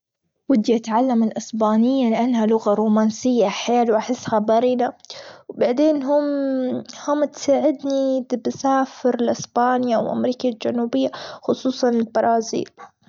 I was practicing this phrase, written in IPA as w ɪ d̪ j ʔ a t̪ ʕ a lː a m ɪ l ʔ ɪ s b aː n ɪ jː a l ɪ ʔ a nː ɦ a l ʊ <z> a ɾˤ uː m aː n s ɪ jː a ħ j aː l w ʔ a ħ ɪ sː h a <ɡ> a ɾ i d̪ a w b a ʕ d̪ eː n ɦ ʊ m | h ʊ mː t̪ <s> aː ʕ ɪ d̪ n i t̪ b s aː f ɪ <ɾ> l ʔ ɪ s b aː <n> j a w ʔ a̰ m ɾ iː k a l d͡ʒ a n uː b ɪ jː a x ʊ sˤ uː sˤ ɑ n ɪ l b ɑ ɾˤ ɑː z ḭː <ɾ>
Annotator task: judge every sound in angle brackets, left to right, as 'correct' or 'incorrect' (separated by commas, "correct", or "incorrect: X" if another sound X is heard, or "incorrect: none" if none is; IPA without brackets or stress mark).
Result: incorrect: ɣ, incorrect: b, correct, correct, correct, incorrect: l